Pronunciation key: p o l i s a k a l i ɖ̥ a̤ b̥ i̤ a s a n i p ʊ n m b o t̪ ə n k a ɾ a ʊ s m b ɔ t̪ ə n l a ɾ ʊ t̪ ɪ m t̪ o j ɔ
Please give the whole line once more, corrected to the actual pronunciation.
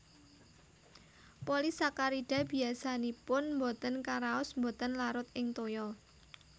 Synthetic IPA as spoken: p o l i s a k a ɾ i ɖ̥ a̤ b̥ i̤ a s a n i p ʊ n m b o t̪ ə n k a ɾ a ʊ s m b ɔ t̪ ə n l a ɾ ʊ t̪ ɪ ŋ t̪ o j ɔ

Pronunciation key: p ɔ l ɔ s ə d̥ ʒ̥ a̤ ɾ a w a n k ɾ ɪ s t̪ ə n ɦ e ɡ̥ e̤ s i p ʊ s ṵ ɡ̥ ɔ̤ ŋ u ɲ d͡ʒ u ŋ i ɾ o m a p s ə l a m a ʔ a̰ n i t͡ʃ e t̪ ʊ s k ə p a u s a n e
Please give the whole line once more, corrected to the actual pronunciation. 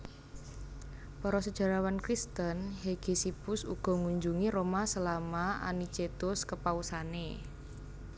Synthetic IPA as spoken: p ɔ ɾ ɔ s ə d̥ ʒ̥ a̤ ɾ a w a n k ɾ i s t̪ ə n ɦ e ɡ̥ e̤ s i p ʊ s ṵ ɡ̥ ɔ̤ ŋ u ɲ d͡ʒ u ŋ i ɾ o m a s ə l a m a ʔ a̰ n i t͡ʃ e t̪ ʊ s k ə p a u s a n e

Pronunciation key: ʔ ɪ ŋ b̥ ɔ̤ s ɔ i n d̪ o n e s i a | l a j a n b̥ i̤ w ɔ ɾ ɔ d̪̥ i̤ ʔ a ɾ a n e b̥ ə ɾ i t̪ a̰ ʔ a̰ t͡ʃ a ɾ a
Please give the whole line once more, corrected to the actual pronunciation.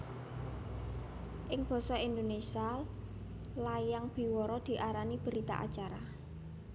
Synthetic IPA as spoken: ʔ ɪ ŋ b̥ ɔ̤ s ɔ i n d̪ o n e s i a | l a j a ŋ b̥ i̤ w ɔ ɾ ɔ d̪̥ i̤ ʔ a ɾ a n i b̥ ə ɾ i t̪ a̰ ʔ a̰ t͡ʃ a ɾ a

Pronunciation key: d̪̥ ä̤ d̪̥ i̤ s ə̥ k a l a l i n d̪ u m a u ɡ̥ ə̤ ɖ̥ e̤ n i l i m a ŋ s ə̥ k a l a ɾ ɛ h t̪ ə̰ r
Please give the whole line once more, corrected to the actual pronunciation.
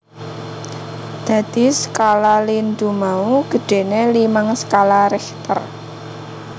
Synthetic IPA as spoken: d̪̥ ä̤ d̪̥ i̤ s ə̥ k a l a l i n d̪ u m a u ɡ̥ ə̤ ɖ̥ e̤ n e l i m a ŋ s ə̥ k a l a ɾ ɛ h t̪ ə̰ r

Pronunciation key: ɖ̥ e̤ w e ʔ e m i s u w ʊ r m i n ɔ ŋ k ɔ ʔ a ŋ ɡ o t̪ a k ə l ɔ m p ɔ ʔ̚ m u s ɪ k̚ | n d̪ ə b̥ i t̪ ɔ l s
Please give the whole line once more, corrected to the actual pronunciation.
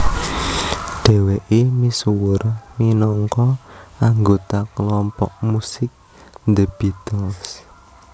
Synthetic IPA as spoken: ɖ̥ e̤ w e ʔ e m i s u w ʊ r m i n ɔ ŋ k ɔ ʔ a ŋ ɡ o t̪ a k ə l ɔ m p ɔ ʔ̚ m u s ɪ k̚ | n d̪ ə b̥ i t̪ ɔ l s

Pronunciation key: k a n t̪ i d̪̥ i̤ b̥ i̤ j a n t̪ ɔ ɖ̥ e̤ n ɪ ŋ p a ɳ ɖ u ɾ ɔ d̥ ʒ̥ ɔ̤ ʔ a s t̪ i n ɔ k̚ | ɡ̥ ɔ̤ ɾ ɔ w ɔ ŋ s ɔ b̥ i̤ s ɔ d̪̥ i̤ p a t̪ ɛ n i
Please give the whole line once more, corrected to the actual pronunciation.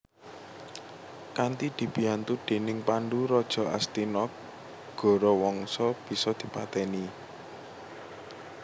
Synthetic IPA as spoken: k a n t̪ i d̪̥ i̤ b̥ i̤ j a n t̪ u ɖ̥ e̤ n ɪ ŋ p a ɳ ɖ u ɾ ɔ d̥ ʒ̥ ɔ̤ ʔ a s t̪ i n ɔ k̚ | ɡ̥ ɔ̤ ɾ ɔ w ɔ ŋ s ɔ b̥ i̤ s ɔ d̪̥ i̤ p a t̪ ɛ n i

